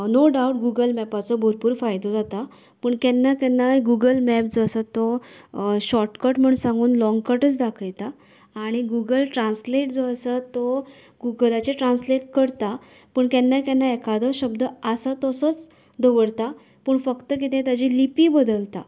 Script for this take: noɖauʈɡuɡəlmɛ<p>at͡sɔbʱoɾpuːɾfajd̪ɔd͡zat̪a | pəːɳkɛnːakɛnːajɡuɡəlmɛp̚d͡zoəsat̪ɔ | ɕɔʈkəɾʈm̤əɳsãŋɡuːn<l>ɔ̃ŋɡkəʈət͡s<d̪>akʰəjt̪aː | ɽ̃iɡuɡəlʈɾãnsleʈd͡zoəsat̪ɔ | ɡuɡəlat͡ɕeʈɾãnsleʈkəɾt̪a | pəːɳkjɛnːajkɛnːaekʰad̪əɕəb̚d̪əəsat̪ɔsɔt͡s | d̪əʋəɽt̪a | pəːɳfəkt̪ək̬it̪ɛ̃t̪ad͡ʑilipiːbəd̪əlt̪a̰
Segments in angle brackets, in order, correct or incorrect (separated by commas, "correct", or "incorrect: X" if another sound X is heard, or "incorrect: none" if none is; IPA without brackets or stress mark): correct, correct, correct